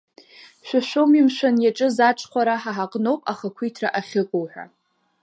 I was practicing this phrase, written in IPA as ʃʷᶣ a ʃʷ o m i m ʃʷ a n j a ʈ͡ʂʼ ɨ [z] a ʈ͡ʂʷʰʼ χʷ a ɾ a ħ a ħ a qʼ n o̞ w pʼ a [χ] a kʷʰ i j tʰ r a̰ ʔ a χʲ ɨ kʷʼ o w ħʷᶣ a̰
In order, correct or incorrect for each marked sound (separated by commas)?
correct, correct